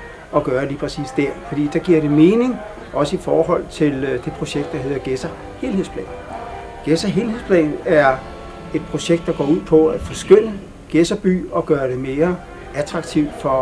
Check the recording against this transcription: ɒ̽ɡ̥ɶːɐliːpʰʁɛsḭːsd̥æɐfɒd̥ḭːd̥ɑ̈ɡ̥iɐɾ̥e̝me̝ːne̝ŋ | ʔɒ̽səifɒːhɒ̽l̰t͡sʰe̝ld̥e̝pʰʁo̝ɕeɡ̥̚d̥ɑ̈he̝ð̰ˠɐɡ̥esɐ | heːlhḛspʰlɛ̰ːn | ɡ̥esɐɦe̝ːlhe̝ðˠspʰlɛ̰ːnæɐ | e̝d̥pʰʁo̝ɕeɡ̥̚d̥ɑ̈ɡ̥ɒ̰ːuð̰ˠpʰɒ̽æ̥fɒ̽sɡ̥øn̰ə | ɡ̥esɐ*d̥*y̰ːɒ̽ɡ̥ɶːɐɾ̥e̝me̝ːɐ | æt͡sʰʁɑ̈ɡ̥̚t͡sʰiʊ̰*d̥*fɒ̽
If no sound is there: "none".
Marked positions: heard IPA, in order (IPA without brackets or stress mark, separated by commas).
b̥, d̥